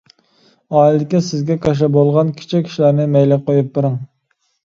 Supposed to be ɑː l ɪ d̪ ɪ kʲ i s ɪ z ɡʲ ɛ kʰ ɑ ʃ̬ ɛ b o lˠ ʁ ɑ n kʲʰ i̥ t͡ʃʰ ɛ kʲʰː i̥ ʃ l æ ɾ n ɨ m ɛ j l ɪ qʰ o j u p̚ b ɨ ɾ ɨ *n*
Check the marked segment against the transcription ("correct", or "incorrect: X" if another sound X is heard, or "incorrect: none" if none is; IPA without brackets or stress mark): incorrect: ŋ